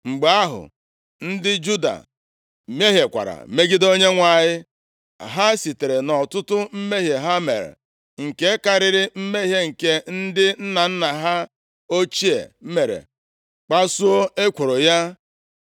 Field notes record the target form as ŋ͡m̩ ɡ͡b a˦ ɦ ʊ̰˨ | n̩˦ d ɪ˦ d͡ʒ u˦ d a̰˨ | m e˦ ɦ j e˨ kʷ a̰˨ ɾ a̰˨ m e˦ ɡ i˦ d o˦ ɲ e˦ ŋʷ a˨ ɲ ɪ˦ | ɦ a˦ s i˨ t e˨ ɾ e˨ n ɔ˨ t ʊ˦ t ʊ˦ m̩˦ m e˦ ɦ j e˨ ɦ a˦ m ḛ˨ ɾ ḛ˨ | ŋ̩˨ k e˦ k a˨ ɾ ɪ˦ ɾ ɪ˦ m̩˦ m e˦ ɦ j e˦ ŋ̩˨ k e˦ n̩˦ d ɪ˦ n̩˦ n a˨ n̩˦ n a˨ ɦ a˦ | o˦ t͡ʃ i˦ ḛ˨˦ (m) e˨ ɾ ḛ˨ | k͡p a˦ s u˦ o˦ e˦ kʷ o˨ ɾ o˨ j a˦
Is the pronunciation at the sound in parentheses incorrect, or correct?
correct